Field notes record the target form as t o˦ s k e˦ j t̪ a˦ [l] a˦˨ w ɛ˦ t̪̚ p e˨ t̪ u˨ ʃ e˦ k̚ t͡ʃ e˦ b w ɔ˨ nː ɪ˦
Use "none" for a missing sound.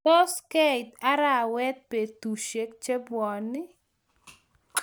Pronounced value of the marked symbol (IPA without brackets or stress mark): ɾ